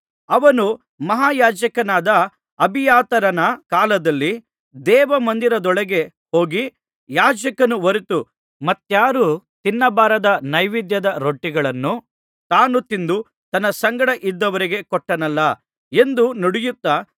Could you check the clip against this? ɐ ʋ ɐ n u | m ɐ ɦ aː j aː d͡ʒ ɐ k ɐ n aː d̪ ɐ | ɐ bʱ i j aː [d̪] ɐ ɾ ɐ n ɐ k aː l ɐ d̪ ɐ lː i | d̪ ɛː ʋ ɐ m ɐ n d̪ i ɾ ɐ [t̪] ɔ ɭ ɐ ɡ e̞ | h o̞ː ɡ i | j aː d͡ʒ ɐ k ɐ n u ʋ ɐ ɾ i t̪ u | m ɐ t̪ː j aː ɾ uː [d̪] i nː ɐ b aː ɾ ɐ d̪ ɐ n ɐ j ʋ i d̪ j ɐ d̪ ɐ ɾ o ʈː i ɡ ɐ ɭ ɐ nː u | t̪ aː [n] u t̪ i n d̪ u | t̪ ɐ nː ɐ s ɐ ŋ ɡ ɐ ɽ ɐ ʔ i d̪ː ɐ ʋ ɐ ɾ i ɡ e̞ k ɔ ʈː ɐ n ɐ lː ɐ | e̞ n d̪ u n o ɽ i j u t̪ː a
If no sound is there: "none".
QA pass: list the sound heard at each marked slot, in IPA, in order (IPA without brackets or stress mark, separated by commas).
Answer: t̪, d̪, t̪, n